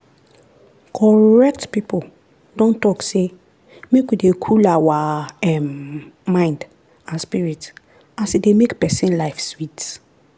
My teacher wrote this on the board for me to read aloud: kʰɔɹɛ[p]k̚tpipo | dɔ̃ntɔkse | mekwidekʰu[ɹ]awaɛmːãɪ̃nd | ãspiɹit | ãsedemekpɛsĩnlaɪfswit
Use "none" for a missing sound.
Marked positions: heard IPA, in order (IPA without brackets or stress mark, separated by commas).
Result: none, l